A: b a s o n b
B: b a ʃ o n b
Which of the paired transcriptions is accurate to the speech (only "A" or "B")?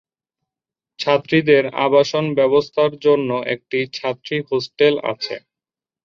B